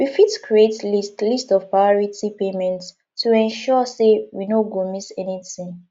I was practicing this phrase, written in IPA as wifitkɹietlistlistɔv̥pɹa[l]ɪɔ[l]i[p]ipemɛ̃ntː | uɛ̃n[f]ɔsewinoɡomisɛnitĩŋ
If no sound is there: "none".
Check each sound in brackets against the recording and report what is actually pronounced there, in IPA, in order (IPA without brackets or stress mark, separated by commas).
none, ɹ, t, ʃ